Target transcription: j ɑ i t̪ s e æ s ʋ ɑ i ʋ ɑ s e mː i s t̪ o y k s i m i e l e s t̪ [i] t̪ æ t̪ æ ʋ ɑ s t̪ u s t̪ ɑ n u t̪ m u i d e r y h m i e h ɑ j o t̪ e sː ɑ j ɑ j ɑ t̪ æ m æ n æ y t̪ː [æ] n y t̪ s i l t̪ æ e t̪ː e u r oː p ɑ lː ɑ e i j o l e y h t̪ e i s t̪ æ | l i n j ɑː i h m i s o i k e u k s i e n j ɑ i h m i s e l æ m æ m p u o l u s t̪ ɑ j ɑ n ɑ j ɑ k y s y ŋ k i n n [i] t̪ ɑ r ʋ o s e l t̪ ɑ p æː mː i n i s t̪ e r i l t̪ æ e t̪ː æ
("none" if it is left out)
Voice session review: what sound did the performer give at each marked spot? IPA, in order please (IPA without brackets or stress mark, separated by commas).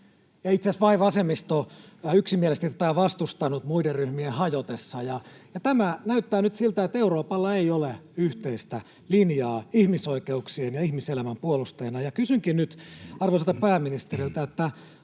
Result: i, æː, y